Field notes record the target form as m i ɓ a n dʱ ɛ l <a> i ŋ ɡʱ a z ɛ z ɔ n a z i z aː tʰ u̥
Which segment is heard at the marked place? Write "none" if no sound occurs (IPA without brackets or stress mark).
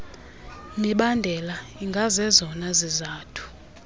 a